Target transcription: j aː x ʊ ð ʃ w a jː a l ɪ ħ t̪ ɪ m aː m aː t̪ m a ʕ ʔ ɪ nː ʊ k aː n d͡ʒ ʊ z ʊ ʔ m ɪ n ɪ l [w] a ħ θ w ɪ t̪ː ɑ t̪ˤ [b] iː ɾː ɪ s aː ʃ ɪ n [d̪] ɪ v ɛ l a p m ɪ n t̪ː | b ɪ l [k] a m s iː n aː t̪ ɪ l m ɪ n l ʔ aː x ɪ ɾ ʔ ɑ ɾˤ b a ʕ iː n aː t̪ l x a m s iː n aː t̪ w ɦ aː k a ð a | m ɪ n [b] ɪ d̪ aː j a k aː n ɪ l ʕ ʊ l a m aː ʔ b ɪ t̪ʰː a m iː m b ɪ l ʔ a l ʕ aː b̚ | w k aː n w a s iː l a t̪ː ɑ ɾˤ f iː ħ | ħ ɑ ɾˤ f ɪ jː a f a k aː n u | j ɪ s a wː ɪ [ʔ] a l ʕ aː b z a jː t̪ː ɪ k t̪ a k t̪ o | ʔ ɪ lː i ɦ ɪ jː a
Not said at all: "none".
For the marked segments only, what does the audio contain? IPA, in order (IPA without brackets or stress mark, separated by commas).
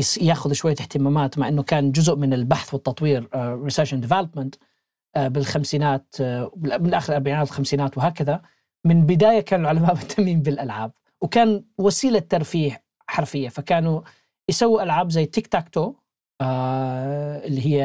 b, w, d̪, x, b, ʔ